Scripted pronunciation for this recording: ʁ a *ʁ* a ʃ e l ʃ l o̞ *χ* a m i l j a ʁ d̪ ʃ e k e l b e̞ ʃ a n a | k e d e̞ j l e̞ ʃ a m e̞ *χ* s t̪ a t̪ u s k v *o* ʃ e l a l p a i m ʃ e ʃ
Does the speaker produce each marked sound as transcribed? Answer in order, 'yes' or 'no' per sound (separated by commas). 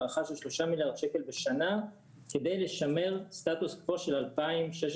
no, no, no, yes